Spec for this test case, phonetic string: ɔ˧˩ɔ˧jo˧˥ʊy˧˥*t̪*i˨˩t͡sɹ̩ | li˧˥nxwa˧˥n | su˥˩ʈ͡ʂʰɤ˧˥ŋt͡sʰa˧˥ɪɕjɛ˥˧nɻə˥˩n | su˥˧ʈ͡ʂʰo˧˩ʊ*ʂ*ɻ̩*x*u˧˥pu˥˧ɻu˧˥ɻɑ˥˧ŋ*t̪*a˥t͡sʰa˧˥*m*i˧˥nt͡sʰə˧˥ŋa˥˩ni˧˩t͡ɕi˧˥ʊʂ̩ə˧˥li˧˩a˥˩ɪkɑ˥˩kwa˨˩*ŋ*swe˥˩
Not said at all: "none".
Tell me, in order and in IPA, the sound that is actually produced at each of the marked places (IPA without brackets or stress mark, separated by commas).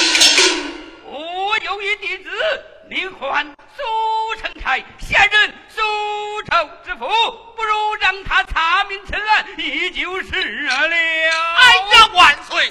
t̪, ʈ͡ʂ, f, t̪ʰ, m, n